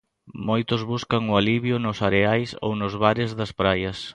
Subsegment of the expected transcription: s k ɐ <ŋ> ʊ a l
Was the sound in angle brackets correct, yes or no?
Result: yes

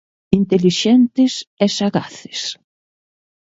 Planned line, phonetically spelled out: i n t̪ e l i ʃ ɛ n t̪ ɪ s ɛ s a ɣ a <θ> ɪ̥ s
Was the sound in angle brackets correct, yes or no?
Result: yes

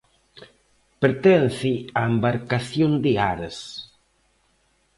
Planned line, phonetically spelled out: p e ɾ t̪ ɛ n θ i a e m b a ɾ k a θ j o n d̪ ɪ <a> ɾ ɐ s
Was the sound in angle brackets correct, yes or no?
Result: yes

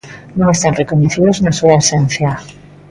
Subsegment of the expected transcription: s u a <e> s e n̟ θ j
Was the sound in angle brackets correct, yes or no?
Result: yes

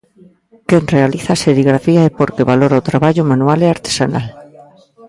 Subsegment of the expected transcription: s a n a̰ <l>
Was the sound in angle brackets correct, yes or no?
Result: yes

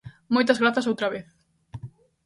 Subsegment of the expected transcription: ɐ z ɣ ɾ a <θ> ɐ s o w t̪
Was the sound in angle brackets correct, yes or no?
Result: yes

